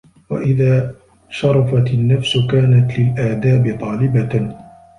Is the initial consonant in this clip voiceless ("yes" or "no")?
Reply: no